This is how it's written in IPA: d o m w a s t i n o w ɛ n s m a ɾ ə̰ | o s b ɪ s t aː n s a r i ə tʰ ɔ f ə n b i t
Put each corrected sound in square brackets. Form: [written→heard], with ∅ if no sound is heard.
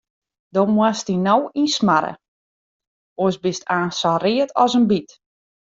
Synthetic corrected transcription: d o m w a s t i n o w [ɛ→i] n s m a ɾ ə̰ | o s b ɪ s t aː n s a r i ə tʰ ɔ [f→s] ə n b i t